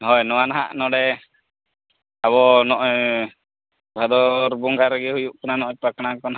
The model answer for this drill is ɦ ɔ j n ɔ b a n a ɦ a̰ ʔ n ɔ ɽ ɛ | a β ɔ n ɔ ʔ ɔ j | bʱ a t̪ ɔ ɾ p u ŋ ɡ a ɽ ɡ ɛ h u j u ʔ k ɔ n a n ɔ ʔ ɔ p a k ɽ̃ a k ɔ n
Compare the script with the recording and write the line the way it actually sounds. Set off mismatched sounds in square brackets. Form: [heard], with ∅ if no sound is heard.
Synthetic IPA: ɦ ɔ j n ɔ [w] a n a ɦ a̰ ʔ n ɔ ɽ ɛ | a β ɔ n ɔ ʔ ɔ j | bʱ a [d̪] ɔ ɾ [b] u ŋ ɡ a [ɾ] ɡ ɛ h u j u ʔ k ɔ n a n ɔ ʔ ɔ p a k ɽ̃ a k ɔ n

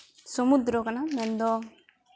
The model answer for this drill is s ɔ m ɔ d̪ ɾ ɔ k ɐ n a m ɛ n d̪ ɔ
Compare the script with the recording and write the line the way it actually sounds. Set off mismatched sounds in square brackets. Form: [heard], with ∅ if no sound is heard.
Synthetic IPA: s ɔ m [u] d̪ ɾ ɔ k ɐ n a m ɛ n d̪ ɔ

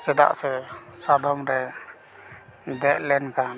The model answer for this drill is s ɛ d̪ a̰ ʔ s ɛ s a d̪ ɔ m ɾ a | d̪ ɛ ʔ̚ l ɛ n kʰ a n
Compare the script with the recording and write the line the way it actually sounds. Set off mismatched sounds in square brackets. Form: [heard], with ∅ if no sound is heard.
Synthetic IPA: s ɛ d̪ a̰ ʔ s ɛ s a d̪ ɔ m ɾ [ɛ] | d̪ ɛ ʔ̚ l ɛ n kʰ a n

